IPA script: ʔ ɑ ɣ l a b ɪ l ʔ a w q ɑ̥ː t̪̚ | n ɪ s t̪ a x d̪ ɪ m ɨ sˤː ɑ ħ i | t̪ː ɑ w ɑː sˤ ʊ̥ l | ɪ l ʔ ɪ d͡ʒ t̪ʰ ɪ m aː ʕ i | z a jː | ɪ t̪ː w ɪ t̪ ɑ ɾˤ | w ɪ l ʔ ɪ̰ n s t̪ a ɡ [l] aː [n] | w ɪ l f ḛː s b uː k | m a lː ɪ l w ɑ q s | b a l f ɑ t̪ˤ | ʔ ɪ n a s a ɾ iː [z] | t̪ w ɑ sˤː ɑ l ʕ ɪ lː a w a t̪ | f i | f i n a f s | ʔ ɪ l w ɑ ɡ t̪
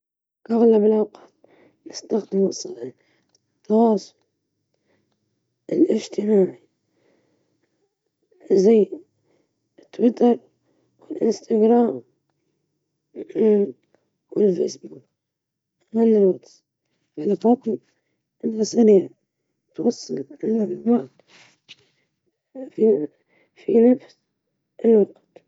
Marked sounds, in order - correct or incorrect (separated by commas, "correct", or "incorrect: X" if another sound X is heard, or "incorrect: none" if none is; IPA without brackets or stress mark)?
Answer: incorrect: ɾ, incorrect: m, incorrect: ʕ